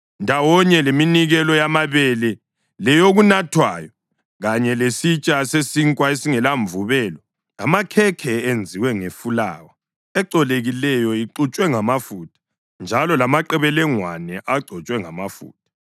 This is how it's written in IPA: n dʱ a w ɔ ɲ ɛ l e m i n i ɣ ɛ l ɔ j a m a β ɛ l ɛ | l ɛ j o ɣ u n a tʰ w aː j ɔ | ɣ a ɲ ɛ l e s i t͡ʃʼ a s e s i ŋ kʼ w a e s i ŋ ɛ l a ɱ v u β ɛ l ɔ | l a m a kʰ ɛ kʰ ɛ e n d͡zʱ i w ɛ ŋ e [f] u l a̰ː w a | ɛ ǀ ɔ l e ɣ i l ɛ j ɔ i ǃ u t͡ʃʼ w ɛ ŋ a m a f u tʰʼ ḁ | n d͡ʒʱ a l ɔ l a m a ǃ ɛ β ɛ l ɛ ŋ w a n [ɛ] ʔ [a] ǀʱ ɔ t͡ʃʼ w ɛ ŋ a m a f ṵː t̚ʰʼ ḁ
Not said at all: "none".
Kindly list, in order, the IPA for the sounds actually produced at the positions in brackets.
f, ɛ, a

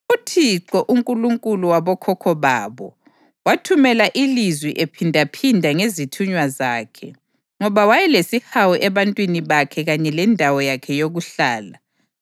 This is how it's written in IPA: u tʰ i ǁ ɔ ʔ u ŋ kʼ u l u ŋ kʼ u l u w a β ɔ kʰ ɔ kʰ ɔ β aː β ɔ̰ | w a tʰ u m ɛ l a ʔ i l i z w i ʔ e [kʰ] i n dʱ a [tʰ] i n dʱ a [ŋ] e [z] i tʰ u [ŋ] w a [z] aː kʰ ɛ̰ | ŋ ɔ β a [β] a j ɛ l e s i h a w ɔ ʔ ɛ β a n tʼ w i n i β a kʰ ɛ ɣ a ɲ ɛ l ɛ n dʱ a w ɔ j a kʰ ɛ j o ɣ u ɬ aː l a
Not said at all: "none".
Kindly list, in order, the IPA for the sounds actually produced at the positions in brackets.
pʰ, pʰ, ŋ, z, ɲ, z, w

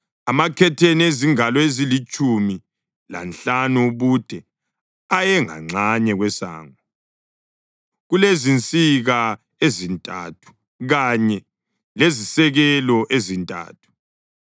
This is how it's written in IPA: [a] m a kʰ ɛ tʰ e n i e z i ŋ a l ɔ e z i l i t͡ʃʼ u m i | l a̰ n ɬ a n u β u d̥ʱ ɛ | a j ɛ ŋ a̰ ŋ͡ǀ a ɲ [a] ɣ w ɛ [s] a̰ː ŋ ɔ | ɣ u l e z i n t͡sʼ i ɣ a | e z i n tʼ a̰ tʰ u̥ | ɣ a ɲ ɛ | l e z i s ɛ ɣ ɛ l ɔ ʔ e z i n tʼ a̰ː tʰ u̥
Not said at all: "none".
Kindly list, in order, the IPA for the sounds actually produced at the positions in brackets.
a, ɛ, s

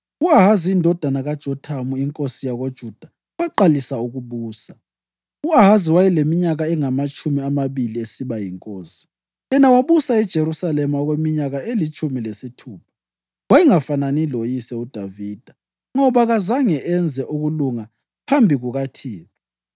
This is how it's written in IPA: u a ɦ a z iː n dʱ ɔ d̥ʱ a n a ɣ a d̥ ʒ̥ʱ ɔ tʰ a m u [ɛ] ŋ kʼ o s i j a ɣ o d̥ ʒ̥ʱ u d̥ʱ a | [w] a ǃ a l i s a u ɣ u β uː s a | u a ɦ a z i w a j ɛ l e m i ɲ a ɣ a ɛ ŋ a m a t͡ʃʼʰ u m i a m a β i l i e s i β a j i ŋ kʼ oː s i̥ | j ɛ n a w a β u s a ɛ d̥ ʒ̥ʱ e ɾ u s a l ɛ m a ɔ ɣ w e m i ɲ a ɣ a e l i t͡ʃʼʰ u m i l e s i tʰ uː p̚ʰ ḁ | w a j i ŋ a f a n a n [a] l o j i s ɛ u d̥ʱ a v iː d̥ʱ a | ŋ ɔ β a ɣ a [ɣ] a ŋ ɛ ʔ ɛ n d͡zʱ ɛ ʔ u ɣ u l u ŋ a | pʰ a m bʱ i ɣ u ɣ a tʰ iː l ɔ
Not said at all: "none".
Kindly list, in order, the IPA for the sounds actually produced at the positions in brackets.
i, w, i, z

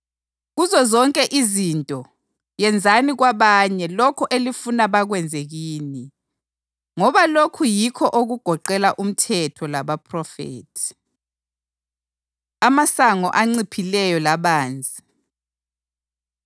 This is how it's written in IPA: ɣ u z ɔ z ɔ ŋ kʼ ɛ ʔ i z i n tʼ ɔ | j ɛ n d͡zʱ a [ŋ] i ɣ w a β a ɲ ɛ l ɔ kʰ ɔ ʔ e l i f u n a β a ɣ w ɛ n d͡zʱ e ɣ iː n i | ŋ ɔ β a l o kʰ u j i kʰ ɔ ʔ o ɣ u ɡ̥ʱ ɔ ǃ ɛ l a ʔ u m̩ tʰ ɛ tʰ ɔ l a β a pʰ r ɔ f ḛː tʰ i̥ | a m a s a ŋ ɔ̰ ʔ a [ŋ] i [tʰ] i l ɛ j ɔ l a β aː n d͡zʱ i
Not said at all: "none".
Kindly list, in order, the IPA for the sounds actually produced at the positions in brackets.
n, ŋ͡ǀ, pʰ

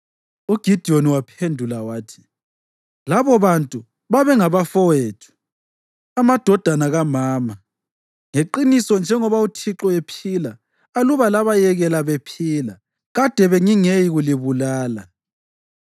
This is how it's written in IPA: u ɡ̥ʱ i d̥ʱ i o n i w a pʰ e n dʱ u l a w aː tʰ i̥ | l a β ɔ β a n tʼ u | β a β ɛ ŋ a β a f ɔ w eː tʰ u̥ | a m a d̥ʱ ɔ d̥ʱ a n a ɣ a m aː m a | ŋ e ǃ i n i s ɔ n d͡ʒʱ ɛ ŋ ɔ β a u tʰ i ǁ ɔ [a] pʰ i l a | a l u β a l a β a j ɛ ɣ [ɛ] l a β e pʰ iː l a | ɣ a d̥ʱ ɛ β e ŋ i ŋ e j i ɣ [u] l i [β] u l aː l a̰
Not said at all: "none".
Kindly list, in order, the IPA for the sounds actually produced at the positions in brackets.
e, ɛ, u, β

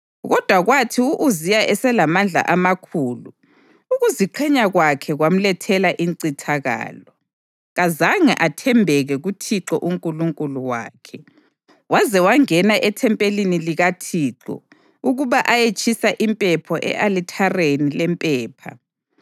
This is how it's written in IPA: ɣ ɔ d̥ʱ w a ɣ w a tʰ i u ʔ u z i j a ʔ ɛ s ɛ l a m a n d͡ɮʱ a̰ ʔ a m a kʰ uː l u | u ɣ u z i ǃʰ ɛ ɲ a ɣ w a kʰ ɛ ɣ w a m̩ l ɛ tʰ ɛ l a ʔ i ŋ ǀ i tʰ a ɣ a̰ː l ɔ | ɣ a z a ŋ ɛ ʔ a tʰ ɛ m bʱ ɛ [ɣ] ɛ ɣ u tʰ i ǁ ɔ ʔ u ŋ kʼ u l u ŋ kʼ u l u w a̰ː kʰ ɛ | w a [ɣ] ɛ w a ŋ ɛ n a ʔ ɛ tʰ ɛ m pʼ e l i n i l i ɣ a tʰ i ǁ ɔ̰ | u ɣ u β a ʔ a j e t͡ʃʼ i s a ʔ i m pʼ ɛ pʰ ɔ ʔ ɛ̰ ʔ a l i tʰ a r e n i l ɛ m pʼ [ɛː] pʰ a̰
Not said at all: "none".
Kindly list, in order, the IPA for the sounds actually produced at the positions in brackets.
ɣ, z, ɛː

